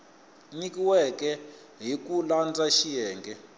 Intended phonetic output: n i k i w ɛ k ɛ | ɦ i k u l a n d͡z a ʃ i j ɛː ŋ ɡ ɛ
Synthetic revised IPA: n i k i w ɛ k ɛ | ɦ i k u l a n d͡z a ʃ i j ɛː ŋ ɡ ɛ

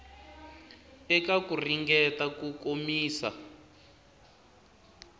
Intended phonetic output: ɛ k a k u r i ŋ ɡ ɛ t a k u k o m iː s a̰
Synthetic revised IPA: ɛ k a k u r i ŋ ɡ ɛ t a k u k o m iː s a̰

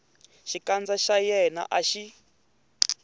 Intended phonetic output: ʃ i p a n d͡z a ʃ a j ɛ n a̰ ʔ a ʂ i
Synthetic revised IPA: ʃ i k a n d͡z a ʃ a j ɛ n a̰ ʔ a ʃ i

